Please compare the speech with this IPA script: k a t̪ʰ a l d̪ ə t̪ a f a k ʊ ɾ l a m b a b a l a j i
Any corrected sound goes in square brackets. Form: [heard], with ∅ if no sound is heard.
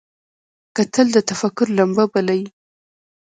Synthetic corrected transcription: k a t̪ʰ [ə] l d̪ ə t̪ a f a k ʊ ɾ l a m b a b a l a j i